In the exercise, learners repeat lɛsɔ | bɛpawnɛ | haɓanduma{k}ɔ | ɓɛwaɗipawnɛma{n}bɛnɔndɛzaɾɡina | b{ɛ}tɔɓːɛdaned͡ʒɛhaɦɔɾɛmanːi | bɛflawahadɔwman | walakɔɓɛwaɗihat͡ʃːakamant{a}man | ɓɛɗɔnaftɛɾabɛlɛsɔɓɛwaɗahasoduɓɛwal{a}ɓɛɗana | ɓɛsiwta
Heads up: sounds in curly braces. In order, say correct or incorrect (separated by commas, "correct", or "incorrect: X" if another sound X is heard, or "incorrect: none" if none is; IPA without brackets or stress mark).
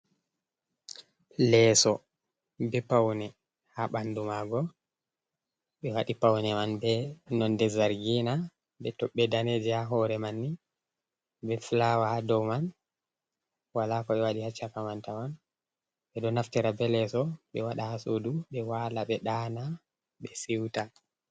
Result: incorrect: ɡ, correct, correct, correct, correct